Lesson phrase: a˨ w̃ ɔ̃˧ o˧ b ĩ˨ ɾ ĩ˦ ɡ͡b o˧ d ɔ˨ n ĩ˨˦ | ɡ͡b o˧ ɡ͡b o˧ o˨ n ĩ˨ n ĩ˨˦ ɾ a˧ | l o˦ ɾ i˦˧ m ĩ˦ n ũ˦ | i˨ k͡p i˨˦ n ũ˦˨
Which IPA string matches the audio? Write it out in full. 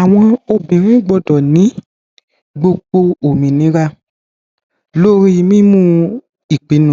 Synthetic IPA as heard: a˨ w̃ ɔ̃˧ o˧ b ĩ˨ ɾ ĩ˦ ɡ͡b ɔ˧ d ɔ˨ n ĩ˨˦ | ɡ͡b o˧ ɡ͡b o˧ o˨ m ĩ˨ n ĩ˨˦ ɾ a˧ | l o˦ ɾ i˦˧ m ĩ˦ m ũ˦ | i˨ k͡p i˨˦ n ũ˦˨